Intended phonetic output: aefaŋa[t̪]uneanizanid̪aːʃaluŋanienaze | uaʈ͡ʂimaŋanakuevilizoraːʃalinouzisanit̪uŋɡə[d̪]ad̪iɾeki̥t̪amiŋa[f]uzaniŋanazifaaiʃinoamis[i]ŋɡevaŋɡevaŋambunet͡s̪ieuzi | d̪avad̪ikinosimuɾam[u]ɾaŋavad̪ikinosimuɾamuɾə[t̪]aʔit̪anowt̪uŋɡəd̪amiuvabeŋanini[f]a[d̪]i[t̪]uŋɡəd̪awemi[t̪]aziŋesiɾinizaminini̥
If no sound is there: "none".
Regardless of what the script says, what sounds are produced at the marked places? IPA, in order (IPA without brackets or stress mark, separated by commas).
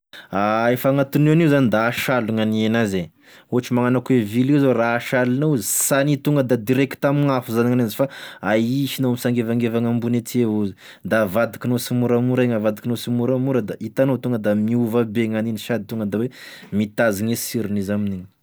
t̪, d̪, f, a, u, d̪, ʃ, d̪, t̪, t̪